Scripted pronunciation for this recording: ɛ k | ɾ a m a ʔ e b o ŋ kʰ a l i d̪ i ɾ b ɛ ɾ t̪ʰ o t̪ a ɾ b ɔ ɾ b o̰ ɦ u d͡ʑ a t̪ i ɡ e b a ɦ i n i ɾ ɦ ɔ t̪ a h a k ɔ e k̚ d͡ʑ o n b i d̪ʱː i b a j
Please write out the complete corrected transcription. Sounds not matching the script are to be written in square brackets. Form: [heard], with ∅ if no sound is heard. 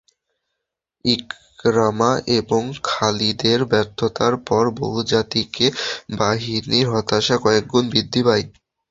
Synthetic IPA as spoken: [i] k | ɾ a m a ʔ e b o ŋ kʰ a l i d̪ [e] ɾ b ɛ ɾ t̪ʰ o t̪ a ɾ [p] ɔ ɾ b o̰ ɦ u d͡ʑ a t̪ i [k] e b a ɦ i n i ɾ ɦ ɔ t̪ a [ʃ] a k ɔ e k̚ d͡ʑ o n b i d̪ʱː i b a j

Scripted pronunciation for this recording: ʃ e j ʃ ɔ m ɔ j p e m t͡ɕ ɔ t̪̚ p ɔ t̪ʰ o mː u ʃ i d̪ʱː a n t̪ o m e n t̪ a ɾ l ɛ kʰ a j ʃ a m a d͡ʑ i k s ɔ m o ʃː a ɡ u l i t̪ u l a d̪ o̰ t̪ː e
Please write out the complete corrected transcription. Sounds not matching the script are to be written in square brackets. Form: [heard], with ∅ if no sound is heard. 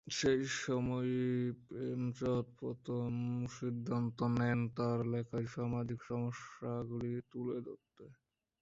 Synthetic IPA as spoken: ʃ e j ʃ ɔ m ɔ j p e m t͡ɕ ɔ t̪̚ p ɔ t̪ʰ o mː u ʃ i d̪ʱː a n t̪ o [n] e n t̪ a ɾ l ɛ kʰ a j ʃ a m a d͡ʑ i k [ʃ] ɔ m o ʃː a ɡ u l i t̪ u l [e] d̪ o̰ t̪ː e

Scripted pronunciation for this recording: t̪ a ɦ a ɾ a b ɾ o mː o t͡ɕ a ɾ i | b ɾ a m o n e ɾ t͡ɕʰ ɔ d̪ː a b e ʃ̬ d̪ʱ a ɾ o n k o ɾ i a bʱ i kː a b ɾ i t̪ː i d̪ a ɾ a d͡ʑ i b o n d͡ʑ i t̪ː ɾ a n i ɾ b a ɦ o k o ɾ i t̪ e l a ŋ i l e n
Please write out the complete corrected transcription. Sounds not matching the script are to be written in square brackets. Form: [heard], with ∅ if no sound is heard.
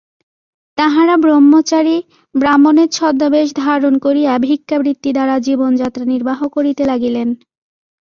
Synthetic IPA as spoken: t̪ a ɦ a ɾ a b ɾ o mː o t͡ɕ a ɾ i | b ɾ a m o n e ɾ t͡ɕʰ ɔ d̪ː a b e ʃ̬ d̪ʱ a ɾ o n k o ɾ i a bʱ i kː a b ɾ i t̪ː i d̪ a ɾ a d͡ʑ i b o n d͡ʑ [a] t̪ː ɾ a n i ɾ b a ɦ o k o ɾ i t̪ e l a [ɡ] i l e n

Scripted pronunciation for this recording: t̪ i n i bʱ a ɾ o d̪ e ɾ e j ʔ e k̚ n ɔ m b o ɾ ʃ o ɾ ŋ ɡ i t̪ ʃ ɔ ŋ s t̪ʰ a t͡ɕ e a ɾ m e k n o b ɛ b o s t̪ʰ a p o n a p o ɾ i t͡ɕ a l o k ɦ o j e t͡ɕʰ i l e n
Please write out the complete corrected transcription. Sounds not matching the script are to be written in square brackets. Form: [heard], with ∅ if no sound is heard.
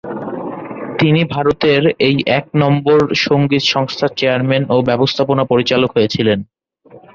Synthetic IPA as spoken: t̪ i n i bʱ a ɾ o [t̪] e ɾ e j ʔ [ɛ] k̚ n ɔ m b o ɾ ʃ o [∅] ŋ ɡ i t̪ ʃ ɔ ŋ s t̪ʰ a t͡ɕ e a ɾ m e [∅] n o b ɛ b o s t̪ʰ a p o n a p o ɾ i t͡ɕ a l o k ɦ o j e t͡ɕʰ i l e n

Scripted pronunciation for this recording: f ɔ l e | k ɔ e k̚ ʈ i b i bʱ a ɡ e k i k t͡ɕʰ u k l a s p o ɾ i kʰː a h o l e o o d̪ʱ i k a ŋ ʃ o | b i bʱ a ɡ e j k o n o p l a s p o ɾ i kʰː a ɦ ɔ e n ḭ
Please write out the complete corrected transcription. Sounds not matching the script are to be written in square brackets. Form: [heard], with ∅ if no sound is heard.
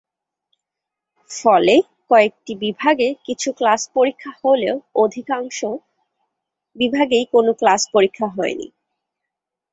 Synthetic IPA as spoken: f ɔ l e | k ɔ e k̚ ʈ i b i bʱ a ɡ e k i [∅] t͡ɕʰ u k l a s p o ɾ i kʰː a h o l e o o d̪ʱ i k a ŋ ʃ o | b i bʱ a ɡ e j k o n o [k] l a s p o ɾ i kʰː a ɦ ɔ e n ḭ

